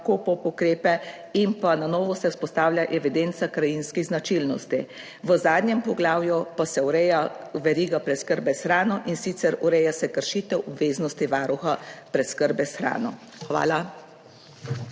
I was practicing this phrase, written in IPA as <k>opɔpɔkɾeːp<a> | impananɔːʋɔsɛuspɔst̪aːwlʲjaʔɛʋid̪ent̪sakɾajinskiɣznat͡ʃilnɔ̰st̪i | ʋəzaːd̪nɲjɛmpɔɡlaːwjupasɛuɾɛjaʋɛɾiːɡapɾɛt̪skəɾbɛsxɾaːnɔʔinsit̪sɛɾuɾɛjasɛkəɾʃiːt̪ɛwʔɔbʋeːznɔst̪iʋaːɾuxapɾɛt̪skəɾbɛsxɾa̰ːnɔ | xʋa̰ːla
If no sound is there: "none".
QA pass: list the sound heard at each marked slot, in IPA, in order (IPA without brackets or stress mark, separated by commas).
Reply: k, ɛ